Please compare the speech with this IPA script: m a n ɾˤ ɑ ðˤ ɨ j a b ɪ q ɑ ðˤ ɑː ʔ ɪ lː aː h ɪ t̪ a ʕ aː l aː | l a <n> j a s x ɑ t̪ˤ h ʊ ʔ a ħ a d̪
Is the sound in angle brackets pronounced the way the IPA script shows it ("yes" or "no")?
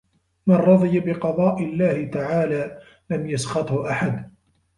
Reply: no